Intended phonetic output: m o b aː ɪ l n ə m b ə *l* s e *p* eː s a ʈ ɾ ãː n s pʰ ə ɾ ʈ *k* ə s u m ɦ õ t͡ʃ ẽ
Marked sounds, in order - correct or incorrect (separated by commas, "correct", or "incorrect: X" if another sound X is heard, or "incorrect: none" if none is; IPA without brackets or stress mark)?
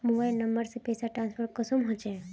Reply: incorrect: ɾ, correct, correct